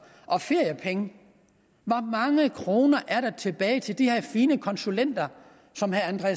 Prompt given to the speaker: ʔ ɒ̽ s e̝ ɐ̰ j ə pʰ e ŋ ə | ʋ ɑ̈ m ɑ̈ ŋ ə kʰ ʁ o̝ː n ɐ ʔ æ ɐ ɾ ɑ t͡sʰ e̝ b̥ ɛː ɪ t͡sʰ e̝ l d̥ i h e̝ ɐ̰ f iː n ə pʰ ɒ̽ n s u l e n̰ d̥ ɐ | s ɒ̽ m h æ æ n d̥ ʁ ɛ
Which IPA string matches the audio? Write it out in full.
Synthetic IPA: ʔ ɒ̽ f e̝ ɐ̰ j ə pʰ e ŋ ə | ʋ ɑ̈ m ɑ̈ ŋ ə kʰ ʁ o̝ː n ɐ ʔ æ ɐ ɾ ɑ t͡sʰ e̝ b̥ ɛː ɪ t͡sʰ e̝ l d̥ i h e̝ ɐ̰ f iː n ə kʰ ɒ̽ n s u l e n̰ d̥ ɐ | s ɒ̽ m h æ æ n d̥ ʁ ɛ

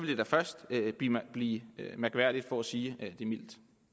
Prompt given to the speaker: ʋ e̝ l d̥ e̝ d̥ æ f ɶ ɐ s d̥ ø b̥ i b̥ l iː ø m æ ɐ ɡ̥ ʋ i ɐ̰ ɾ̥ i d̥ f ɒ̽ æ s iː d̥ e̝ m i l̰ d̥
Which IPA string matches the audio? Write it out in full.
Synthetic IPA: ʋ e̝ l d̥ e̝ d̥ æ f ɶ ɐ s d̥ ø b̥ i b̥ l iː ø m æ ɐ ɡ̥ ʋ æ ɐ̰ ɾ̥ i d̥ f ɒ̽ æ s iː d̥ e̝ m i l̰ d̥

